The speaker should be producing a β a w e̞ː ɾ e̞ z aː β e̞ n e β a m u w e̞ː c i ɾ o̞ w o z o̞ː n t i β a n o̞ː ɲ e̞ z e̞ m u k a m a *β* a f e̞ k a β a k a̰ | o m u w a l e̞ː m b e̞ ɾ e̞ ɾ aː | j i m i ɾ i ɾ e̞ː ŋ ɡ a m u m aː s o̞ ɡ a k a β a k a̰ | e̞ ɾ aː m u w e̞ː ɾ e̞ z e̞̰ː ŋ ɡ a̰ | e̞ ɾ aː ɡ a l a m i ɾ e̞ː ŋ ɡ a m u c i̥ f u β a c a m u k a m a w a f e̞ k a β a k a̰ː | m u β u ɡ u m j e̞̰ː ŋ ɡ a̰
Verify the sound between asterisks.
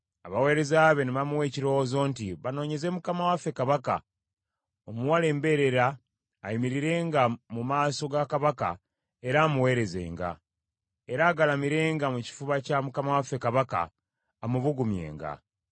incorrect: w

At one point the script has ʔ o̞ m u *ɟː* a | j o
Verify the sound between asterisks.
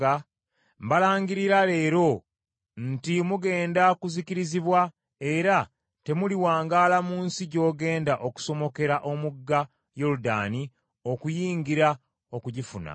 incorrect: ɡː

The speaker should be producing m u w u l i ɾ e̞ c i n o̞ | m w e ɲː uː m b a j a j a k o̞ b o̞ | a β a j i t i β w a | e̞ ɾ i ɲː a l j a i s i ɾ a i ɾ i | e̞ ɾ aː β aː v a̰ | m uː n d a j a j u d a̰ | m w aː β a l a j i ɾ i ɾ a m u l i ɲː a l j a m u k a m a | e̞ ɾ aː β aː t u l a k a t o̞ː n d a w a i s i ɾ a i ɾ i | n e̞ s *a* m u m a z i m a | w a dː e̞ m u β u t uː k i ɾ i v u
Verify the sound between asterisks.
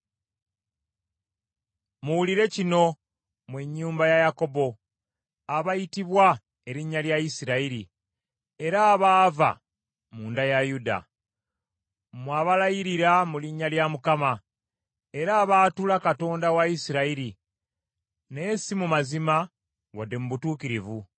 incorrect: i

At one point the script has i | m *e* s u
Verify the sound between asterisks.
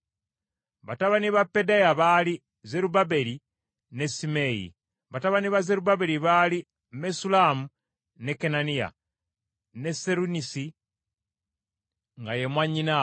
correct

